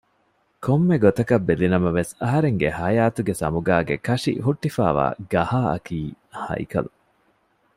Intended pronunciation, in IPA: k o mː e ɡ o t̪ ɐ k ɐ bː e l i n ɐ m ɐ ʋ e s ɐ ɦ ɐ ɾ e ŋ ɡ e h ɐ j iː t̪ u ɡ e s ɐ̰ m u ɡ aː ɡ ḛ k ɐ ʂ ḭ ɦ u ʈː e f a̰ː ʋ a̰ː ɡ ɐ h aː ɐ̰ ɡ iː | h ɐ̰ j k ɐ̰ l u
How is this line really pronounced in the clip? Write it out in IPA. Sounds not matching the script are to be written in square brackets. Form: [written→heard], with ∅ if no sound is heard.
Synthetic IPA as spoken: k o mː e ɡ o t̪ ɐ k ɐ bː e l i n ɐ m ɐ ʋ e s ɐ ɦ ɐ ɾ e ŋ ɡ e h ɐ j [iː→aː] t̪ u ɡ e s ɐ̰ m u ɡ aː ɡ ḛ k ɐ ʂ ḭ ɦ u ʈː [e→i] f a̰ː ʋ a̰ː ɡ ɐ h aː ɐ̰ [ɡ→k] iː | h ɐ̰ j k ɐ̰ l u